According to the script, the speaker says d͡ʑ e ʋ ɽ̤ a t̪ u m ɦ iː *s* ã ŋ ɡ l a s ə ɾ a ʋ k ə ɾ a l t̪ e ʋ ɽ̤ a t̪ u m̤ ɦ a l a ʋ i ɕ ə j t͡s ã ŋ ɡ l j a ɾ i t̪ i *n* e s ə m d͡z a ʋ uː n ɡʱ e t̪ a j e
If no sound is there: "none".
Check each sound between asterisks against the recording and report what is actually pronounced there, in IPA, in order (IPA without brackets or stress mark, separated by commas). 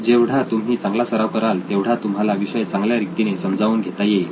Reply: t͡s, n